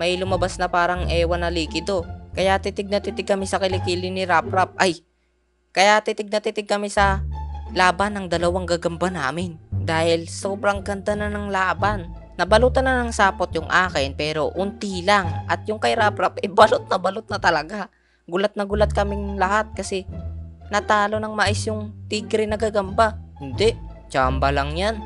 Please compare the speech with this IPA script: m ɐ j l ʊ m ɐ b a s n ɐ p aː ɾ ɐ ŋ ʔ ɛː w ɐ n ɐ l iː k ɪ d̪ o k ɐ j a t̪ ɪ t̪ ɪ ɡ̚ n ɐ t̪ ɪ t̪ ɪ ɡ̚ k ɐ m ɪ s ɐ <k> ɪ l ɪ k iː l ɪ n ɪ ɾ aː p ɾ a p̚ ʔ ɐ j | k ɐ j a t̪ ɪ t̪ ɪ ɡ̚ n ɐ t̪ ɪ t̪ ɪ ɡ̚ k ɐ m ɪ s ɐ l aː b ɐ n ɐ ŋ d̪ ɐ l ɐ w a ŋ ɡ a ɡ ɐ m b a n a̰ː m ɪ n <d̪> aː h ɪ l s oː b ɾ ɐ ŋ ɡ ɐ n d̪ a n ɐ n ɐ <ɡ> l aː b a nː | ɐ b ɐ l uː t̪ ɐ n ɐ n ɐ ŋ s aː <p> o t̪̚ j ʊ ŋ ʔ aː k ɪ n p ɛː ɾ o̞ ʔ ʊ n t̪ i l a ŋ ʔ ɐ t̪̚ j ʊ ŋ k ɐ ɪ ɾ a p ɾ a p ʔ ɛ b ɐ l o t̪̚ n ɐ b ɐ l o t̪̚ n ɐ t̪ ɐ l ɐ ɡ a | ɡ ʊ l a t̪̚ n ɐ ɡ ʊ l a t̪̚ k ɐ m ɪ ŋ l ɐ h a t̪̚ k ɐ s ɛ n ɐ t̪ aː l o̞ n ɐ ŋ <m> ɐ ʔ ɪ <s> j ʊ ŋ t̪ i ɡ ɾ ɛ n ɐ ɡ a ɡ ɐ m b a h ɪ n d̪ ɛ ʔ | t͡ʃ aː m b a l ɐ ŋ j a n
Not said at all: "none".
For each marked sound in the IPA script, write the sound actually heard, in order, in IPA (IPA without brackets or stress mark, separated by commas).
k, d̪, ŋ, p, m, s